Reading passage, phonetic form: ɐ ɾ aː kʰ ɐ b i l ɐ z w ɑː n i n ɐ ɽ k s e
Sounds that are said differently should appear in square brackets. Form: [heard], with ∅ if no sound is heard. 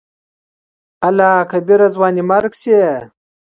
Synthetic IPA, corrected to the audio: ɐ [l] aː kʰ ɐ b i [ɾ] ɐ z w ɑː n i [m] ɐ [ɾ] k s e